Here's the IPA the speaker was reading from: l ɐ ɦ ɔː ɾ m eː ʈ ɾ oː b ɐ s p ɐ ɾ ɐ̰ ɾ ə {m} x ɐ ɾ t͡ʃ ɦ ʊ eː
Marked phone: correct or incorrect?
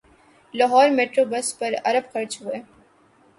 incorrect